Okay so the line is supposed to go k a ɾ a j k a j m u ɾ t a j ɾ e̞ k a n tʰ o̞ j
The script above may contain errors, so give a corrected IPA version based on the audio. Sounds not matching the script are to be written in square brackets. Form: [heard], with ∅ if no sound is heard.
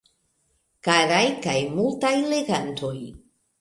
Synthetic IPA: k a ɾ a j k a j m u [l] t a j [l] e̞ [ɡ] a n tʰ o̞ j